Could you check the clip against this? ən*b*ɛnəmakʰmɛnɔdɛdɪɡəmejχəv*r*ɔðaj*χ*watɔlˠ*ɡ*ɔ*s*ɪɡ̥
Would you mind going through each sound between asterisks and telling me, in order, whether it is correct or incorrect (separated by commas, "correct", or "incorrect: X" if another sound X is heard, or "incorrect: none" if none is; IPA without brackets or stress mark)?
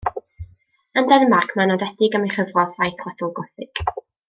incorrect: d, correct, incorrect: θ, correct, incorrect: θ